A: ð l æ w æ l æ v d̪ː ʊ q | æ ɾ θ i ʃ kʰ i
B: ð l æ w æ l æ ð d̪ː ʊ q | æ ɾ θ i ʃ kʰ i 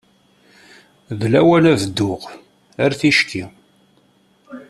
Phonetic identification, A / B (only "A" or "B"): A